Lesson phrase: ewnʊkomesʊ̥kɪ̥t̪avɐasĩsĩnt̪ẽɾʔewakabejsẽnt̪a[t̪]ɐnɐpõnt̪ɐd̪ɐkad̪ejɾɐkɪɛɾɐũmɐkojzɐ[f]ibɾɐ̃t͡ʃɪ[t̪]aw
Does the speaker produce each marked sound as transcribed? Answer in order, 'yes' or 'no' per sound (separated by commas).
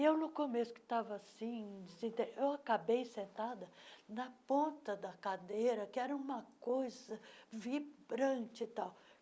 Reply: no, no, yes